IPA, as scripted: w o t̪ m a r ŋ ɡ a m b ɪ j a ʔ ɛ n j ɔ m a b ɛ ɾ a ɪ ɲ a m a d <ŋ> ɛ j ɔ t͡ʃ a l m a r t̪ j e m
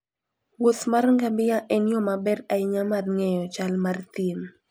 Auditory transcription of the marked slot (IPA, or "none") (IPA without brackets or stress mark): ŋ